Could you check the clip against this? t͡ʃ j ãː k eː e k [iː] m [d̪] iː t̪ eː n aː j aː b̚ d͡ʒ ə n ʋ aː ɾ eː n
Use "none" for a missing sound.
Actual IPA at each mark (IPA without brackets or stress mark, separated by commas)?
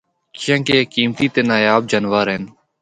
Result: iː, t̪